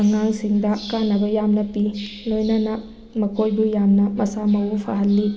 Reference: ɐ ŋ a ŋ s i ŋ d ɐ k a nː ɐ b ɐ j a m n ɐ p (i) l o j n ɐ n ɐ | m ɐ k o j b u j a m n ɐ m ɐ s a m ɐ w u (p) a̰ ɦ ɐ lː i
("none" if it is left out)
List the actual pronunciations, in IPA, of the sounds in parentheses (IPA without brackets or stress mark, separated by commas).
i, pʰ